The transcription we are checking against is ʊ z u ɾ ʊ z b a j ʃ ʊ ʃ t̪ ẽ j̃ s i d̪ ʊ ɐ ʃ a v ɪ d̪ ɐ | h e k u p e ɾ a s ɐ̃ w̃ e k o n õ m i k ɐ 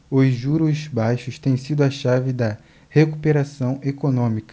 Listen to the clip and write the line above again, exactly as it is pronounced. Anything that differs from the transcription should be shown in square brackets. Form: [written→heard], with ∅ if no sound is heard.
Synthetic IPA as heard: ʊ [z→ʒ] u ɾ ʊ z b a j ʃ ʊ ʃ t̪ ẽ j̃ s i d̪ ʊ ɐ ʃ a v ɪ d̪ ɐ | h e k u p e ɾ a s ɐ̃ w̃ e k o n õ m i k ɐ